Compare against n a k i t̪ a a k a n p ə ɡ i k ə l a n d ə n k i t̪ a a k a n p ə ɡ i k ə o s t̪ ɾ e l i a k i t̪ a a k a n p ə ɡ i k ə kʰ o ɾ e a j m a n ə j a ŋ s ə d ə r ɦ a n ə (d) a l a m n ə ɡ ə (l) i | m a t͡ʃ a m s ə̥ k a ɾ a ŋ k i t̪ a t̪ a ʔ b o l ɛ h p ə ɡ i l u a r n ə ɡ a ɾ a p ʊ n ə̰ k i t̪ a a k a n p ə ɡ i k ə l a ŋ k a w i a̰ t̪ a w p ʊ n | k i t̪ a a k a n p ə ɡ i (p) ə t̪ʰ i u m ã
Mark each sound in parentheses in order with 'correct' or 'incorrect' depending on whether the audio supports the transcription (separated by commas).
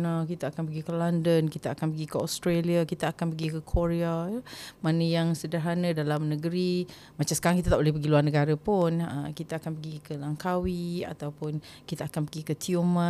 correct, incorrect, incorrect